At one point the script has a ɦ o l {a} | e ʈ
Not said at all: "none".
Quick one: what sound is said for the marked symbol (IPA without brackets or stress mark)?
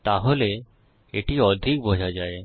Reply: e